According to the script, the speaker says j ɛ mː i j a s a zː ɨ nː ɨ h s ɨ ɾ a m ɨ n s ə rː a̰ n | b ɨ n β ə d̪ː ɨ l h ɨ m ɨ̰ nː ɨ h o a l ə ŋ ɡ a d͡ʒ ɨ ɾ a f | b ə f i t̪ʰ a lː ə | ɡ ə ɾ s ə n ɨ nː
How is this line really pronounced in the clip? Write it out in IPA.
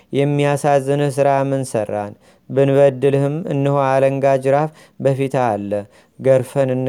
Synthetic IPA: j ɛ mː i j a s a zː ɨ n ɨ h s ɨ ɾ a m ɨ n s ə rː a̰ n | b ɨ n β ə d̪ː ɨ l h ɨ m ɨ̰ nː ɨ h o a l ə ŋ ɡ a d͡ʒ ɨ ɾ a f | b ə f i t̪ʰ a lː ə | ɡ ə ɾ f ə n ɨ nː